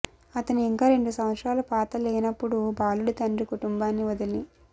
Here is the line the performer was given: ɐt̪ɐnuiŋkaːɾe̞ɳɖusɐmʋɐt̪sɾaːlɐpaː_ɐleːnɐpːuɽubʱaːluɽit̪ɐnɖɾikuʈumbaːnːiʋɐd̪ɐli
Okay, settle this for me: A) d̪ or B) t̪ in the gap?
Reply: B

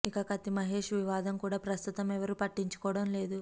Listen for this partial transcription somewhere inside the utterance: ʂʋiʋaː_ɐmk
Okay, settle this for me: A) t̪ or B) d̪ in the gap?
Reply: B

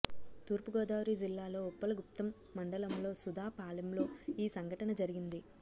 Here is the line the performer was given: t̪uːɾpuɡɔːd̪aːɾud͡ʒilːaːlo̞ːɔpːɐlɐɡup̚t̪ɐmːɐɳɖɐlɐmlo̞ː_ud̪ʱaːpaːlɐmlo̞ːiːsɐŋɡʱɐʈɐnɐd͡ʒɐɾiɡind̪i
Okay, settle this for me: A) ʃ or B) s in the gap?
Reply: B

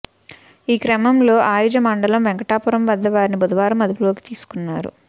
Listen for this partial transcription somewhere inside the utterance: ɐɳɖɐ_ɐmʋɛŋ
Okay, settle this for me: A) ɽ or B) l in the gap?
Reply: B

